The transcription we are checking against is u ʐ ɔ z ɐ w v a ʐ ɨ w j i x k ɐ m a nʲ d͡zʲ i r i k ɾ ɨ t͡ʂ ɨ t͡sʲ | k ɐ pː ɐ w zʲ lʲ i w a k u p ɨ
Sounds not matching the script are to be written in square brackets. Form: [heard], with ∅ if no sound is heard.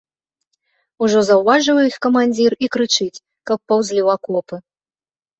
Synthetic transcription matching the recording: u ʐ ɔ z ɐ w v a ʐ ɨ w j i x k ɐ m a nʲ d͡zʲ i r i k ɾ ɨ t͡ʂ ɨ t͡sʲ | k ɐ pː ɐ w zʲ lʲ i w a k [ɔ] p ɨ